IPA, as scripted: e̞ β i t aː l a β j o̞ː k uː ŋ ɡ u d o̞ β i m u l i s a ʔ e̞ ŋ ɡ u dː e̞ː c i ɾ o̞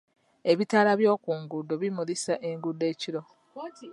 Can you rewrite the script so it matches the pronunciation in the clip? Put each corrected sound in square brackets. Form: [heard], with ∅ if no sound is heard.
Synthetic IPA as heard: e̞ β i t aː l a β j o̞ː k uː ŋ ɡ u d o̞ β i m u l i s a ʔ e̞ ŋ ɡ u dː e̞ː c i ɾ o̞